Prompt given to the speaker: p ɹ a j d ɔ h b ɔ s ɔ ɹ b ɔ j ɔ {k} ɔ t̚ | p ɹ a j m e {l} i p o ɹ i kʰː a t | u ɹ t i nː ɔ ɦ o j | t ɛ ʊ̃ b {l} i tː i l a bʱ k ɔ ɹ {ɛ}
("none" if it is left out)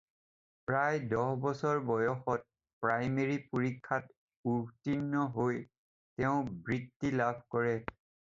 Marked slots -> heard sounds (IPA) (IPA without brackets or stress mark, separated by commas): x, ɹ, ɹ, ɛ